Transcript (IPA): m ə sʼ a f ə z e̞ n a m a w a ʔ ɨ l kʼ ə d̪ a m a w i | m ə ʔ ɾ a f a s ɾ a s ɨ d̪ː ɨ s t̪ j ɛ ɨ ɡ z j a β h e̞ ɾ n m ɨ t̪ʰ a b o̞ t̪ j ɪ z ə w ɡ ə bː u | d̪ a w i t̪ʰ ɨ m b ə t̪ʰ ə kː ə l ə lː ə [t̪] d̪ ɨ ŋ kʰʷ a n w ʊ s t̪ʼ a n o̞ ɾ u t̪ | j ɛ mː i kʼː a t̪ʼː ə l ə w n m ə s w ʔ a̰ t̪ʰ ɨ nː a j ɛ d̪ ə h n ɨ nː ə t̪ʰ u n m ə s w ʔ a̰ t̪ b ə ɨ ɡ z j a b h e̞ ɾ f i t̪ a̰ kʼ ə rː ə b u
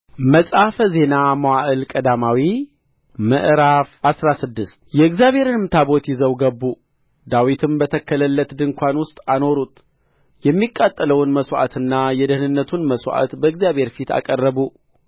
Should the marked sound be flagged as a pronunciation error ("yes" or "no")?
no